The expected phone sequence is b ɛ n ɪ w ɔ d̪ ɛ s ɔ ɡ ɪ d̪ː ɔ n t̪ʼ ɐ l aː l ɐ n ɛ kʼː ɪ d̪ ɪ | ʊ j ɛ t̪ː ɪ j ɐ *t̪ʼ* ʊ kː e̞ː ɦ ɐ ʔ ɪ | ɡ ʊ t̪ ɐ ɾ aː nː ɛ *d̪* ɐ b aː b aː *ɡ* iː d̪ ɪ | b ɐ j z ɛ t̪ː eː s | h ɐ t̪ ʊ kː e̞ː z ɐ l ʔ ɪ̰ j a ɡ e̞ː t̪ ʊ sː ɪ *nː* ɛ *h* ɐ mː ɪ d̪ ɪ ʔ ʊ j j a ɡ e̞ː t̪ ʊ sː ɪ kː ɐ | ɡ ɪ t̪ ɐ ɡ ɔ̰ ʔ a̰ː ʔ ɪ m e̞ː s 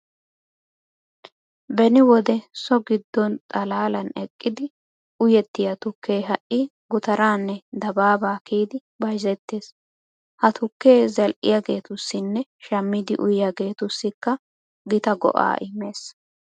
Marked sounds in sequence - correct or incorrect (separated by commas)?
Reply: incorrect, correct, incorrect, correct, incorrect